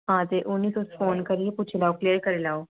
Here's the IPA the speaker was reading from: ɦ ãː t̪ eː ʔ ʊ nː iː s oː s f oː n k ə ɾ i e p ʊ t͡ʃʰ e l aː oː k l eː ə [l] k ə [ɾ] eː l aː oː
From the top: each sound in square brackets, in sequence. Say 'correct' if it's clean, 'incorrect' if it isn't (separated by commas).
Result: incorrect, correct